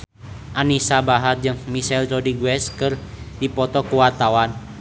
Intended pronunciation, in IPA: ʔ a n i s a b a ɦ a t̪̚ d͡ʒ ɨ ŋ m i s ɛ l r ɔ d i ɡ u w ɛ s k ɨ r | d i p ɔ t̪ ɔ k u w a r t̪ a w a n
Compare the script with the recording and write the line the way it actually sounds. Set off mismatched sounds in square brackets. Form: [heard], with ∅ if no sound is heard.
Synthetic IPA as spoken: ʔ a n i s a b a ɦ a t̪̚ d͡ʒ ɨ ŋ m i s ɛ l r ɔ d i ɡ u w ɛ s k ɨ r | d i p ɔ t̪ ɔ k u w a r t̪ a w a n